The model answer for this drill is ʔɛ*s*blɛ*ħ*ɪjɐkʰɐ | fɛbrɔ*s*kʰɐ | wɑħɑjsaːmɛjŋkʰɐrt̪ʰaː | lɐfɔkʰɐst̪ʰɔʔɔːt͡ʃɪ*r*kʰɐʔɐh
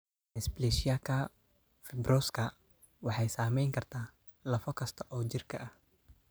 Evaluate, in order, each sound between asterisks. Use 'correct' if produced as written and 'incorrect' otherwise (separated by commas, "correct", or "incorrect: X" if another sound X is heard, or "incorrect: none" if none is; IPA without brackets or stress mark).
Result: correct, incorrect: ʃ, correct, correct